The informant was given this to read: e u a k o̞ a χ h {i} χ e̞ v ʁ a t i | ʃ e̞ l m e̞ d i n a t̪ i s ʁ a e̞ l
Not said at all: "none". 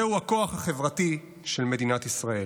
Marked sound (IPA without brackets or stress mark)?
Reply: a